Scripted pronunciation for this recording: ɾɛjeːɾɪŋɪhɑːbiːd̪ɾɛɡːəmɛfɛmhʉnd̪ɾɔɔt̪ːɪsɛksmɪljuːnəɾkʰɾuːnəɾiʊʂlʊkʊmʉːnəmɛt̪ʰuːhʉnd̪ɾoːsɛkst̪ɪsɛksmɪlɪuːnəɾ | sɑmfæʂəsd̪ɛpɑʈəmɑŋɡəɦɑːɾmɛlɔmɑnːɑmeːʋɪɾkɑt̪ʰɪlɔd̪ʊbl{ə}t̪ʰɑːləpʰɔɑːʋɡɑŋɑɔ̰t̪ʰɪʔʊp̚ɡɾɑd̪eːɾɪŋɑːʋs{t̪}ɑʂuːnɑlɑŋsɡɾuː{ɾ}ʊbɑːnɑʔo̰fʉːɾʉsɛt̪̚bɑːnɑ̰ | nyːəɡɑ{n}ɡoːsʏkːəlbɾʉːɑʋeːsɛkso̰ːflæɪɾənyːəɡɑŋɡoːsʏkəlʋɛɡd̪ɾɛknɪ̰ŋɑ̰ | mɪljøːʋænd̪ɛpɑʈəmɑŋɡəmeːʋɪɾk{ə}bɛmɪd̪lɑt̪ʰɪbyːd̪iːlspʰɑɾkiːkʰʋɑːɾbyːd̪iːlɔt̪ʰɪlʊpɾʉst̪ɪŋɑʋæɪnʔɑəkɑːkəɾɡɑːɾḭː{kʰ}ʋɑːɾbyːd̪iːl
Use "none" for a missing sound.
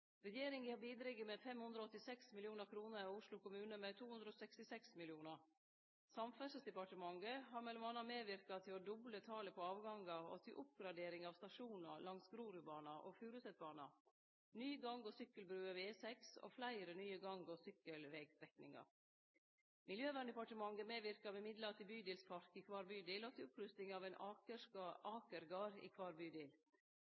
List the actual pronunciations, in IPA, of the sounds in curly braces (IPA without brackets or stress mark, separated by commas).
ə, t̪, ɾ, ŋ, ɑ, kʰ